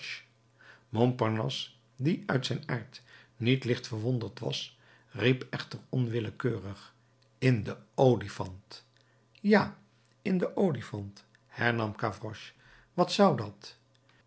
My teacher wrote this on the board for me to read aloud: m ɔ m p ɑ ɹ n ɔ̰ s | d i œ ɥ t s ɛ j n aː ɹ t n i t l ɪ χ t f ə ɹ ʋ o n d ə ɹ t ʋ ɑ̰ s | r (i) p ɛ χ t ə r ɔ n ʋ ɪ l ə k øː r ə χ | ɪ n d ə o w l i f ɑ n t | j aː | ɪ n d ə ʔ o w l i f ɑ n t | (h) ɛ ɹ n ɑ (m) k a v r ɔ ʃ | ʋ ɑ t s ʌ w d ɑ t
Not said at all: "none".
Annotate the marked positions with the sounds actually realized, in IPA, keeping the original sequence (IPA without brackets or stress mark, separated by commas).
i, h, m